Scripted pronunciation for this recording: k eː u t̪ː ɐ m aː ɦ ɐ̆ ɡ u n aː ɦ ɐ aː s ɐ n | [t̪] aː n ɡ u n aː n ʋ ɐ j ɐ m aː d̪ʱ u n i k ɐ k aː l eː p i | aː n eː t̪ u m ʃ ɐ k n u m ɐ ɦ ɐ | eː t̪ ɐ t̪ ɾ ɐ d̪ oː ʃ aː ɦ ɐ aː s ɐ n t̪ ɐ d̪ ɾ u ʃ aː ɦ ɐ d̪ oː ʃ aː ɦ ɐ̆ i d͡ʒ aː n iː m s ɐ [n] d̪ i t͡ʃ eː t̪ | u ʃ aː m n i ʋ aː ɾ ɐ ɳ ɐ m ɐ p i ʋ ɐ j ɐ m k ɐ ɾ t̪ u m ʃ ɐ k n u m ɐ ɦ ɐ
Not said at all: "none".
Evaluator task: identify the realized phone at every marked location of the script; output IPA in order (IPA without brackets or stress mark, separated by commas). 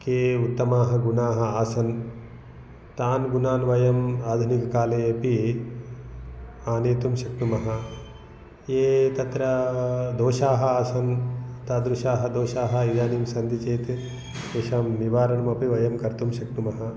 t̪, n